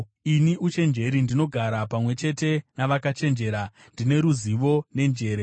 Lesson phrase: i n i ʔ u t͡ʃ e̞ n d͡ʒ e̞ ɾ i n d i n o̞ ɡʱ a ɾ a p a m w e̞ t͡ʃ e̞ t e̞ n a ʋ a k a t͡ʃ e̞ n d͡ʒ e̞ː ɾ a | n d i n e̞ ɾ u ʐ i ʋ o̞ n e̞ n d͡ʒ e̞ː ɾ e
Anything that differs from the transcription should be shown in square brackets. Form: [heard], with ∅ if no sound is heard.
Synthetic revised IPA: i n i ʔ u t͡ʃ e̞ n d͡ʒ e̞ ɾ i n d i n o̞ ɡʱ a ɾ a p a m w e̞ t͡ʃ e̞ t e̞ n a ʋ a k a t͡ʃ e̞ n d͡ʒ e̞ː ɾ a | n d i n e̞ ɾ u [z] i ʋ o̞ n e̞ n d͡ʒ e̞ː ɾ e